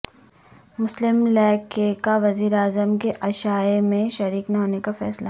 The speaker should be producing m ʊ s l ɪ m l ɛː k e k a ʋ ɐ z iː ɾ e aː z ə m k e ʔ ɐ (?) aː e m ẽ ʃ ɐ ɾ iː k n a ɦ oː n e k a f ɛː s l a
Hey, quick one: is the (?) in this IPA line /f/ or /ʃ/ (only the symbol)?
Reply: ʃ